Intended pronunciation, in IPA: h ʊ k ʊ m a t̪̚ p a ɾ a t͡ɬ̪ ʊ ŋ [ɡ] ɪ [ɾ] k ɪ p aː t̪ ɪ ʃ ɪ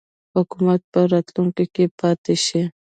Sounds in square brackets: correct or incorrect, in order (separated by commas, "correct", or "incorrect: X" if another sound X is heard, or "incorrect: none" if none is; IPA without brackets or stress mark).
incorrect: k, incorrect: none